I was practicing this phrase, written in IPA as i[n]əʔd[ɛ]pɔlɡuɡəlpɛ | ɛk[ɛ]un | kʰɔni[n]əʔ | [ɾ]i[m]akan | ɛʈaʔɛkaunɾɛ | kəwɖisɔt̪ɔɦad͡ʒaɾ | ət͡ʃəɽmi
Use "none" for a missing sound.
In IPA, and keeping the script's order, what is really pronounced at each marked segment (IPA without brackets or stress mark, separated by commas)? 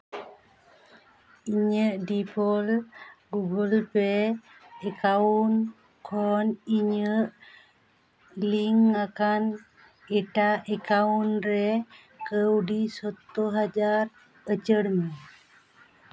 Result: ɲ, i, a, ɲ, l, ŋ